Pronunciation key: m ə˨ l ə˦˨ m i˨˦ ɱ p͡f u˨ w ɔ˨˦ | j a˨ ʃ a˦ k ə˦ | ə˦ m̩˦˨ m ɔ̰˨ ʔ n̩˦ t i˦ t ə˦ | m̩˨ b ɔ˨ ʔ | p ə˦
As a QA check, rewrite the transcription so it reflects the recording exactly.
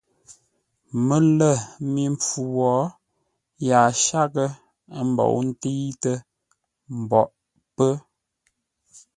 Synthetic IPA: m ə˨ l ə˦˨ m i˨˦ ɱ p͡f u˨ w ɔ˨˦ | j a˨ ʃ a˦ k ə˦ | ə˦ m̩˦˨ b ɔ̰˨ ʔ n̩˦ t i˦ t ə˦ | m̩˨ b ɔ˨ ʔ | p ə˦